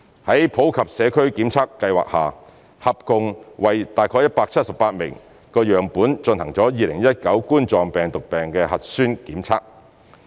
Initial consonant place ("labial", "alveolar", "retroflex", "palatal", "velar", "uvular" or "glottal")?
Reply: glottal